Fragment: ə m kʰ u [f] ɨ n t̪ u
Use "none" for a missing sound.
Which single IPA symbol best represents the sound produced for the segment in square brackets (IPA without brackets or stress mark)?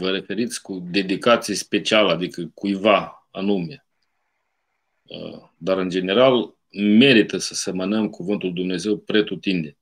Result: v